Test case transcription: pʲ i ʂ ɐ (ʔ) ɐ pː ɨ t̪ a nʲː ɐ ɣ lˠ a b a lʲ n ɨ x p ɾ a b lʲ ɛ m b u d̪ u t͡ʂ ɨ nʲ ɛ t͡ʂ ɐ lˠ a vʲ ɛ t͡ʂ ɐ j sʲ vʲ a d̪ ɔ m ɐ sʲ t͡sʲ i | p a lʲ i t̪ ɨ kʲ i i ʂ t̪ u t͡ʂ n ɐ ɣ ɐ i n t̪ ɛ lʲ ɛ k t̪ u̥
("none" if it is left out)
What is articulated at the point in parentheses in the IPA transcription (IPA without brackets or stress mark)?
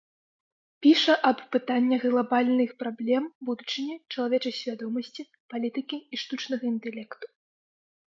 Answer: ʔ